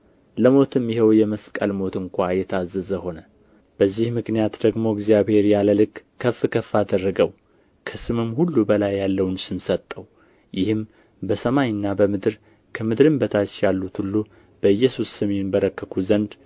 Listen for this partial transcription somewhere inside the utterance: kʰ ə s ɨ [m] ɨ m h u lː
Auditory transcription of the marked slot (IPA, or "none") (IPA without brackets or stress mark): m